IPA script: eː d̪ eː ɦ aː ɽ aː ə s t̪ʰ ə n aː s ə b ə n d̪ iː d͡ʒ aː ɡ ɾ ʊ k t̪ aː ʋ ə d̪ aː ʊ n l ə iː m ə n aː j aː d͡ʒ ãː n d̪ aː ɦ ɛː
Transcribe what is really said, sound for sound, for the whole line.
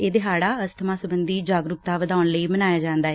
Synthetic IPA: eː d̪ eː ɦ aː ɽ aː ə s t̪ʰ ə m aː s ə b ə n d̪ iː d͡ʒ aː ɡ ɾ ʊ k t̪ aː ʋ ə d̪ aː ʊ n l ə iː m ə n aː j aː d͡ʒ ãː n d̪ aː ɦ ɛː